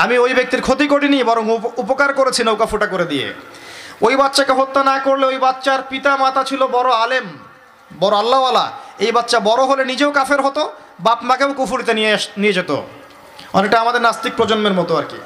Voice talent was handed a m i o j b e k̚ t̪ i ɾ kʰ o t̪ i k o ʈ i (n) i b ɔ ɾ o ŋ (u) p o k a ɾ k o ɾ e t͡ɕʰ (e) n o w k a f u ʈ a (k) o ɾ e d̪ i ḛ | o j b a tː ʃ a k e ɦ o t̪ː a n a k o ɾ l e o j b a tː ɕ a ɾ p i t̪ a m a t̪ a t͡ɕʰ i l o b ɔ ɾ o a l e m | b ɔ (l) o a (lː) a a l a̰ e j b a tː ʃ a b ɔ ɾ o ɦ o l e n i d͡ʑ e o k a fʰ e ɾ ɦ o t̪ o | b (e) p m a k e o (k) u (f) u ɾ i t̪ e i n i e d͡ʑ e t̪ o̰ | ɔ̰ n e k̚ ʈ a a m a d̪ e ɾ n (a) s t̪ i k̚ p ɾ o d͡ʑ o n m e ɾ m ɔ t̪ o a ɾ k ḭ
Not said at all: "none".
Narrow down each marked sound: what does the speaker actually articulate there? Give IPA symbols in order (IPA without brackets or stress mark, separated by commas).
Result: n, u, i, k, ɾ, lː, a, k, f, a